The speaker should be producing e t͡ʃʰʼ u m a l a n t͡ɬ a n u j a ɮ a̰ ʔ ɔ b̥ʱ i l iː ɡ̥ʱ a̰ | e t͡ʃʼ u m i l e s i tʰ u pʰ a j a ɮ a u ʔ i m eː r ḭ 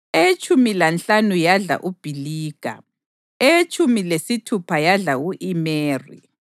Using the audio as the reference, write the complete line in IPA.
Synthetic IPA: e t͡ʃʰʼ u m i l a n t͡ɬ a n u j a ɮ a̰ ʔ u b̥ʱ i l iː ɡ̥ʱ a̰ | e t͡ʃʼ u m i l e s i tʰ u pʰ a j a ɮ a u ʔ i m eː r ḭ

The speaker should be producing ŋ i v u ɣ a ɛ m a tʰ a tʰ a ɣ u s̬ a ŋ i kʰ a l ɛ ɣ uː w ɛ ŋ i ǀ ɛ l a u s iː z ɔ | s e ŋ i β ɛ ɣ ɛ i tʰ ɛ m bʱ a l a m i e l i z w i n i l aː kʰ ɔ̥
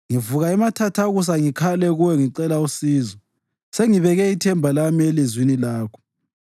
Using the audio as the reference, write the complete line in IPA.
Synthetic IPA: ŋ i v u ɣ a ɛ m a tʰ a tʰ a ɣ u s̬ a ŋ i kʰ a l ɛ ɣ u w ɛ ŋ i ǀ ɛ l a u s iː z ɔ | s e ŋ i β ɛ ɣ ɛ i tʰ ɛ m bʱ a l a m i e l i z w i n i l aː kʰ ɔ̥

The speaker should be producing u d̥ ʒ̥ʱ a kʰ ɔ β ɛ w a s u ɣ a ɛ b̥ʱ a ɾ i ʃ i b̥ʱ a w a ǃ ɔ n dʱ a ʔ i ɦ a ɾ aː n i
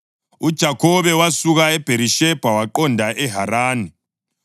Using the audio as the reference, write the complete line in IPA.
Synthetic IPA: u d̥ ʒ̥ʱ a kʰ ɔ β ɛ w a s u ɣ a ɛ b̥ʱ e ɾ i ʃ ɛ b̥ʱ a w a ǃ ɔ n dʱ a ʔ ɛ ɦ a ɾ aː n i

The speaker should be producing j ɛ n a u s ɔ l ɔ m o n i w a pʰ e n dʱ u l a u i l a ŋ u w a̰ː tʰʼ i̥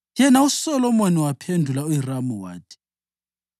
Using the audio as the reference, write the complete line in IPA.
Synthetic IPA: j ɛ n a u s ɔ l ɔ m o n i w a pʰ e n dʱ u l a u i r a m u w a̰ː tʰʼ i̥

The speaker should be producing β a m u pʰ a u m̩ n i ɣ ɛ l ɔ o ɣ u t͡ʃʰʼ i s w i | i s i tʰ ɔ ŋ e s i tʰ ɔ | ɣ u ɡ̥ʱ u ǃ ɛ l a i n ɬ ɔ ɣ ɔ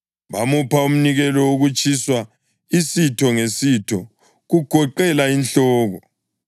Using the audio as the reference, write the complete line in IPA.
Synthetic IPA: β a m u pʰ a u m̩ n i ɣ ɛ l ɔ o ɣ u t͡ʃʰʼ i s w a | i s i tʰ ɔ ŋ e s i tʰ ɔ | ɣ u ɡ̥ʱ ɔ ǃ ɛ l a i n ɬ ɔː ɣ ɔ

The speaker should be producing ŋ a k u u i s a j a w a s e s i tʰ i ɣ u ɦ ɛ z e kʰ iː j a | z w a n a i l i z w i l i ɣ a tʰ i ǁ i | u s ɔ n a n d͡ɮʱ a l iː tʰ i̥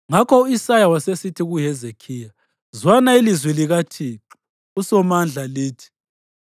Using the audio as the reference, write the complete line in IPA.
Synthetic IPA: ŋ a k ɔ u i s a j a w a s e s i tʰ i ɣ u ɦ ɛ z e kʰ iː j a | z w a n a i l i z w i l i ɣ a tʰ i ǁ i | u s ɔ m a n d͡ɮʱ a l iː tʰ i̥

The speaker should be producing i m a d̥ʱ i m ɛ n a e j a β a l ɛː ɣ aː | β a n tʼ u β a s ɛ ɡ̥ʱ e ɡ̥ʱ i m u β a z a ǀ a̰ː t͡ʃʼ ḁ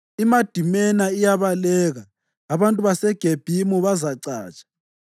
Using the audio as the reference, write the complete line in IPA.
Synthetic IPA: i m a d̥ʱ i m ɛ n a i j a β a l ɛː ɣ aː | β a n tʼ u β a s ɛ ɡ̥ʱ e b̥ʱ i m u β a z a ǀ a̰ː t͡ʃʼ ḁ

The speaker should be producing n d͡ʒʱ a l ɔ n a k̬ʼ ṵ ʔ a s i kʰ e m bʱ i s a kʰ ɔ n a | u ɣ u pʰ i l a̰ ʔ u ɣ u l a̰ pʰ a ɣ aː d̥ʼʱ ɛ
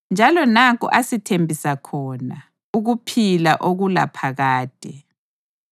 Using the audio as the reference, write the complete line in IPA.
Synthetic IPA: n d͡ʒʱ a l ɔ n a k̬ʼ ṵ ʔ a s i tʰ e m bʱ i s a kʰ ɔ n a | u ɣ u pʰ i l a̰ ʔ o ɣ u l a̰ pʰ a ɣ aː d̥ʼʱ ɛ

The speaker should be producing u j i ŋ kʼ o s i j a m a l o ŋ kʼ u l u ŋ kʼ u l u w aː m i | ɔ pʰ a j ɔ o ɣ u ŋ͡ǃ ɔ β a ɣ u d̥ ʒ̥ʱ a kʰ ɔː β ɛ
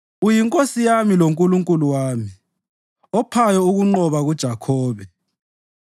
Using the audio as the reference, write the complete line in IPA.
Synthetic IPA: u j i ŋ kʼ o s i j a m i l o ŋ kʼ u l u ŋ kʼ u l u w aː m i | ɔ pʰ a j ɔ u ɣ u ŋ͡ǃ ɔ β a ɣ u d̥ ʒ̥ʱ a kʰ ɔː β ɛ

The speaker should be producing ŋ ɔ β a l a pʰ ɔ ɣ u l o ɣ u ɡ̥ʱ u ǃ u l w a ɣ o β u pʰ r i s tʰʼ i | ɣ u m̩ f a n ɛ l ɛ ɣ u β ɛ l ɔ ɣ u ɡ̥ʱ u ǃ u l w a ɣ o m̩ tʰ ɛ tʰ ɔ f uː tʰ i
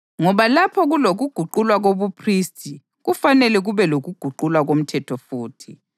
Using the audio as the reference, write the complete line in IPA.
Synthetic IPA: ŋ ɔ β a l a pʰ ɔ ɣ u l o ɣ u ɡ̥ʱ u ǃ u l w a ɣ o β u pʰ r i s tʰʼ i | ɣ u f a n ɛ l ɛ ɣ u β ɛ l o ɣ u ɡ̥ʱ u ǃ u l w a ɣ o m̩ tʰ ɛ tʰ ɔ f uː tʰ i

